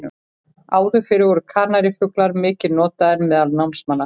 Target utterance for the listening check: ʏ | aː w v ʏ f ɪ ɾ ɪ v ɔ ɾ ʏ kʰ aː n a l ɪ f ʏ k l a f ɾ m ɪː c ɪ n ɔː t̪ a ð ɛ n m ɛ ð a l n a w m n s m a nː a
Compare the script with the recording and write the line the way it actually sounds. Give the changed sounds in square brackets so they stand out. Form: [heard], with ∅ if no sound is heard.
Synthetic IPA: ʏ | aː w [ð] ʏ f ɪ ɾ ɪ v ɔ ɾ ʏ kʰ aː n a [ɾ] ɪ f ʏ k l a [∅] ɾ m ɪː c ɪ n ɔː t̪ a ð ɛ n m ɛ ð a l n a w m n s m a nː a